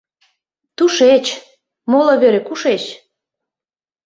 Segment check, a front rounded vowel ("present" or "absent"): absent